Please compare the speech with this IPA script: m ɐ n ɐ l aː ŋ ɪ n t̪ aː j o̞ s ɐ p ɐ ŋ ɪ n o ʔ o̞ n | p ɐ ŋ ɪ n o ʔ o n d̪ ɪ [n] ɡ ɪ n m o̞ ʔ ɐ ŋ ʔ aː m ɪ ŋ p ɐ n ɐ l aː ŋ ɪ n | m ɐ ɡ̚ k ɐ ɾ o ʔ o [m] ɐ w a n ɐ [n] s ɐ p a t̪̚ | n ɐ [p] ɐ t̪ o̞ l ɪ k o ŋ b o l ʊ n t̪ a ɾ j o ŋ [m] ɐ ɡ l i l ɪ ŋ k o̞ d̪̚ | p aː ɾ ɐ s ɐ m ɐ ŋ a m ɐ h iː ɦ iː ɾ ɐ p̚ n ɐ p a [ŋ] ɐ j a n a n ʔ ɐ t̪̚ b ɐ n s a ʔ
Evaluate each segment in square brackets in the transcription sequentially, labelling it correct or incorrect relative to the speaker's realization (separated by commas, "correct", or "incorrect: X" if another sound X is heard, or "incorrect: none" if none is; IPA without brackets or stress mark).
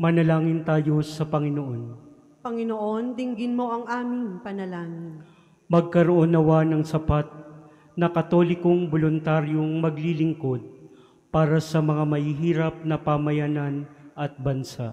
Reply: incorrect: ŋ, incorrect: n, incorrect: ŋ, incorrect: k, correct, incorrect: m